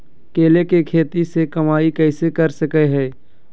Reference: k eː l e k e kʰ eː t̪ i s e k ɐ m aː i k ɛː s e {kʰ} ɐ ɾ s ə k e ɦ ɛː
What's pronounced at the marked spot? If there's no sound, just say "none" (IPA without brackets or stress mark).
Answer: k